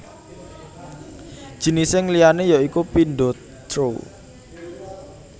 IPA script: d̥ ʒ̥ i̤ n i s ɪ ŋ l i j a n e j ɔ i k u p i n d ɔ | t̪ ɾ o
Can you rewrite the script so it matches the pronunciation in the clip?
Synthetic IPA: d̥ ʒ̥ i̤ n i s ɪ ŋ l i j a n e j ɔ i k u p i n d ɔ | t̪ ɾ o